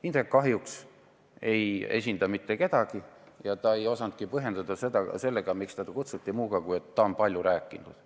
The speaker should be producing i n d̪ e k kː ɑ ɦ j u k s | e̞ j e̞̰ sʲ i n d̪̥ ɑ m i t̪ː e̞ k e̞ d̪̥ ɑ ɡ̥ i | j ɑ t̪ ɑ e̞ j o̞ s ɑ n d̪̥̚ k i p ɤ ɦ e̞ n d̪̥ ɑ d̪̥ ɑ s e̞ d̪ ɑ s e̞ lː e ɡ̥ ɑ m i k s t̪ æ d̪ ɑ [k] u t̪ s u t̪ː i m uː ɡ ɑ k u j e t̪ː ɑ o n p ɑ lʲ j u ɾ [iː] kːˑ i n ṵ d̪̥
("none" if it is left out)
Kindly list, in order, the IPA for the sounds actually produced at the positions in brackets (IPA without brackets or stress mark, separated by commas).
k, æː